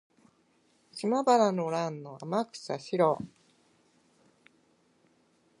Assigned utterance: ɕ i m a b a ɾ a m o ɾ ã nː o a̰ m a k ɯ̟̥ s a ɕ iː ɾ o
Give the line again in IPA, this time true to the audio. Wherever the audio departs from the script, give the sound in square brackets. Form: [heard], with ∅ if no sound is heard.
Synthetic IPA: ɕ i m a b a ɾ a [n] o ɾ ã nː o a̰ m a k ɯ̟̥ s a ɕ [i] ɾ o